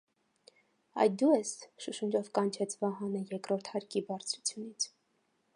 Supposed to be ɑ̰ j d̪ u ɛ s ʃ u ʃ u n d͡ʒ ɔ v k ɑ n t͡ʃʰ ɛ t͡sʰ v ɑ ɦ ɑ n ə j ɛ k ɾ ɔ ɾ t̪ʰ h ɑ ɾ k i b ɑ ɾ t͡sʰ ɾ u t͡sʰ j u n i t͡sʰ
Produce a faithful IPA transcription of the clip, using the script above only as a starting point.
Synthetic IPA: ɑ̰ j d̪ u ɛ s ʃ u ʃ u n d͡ʒ ɔ v k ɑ n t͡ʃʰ ɛ t͡sʰ v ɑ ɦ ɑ n ə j ɛ k ɾ ɔ ɾ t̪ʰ h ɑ ɾ k i b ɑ ɾ t͡sʰ ɾ u t͡sʰ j u n i t͡sʰ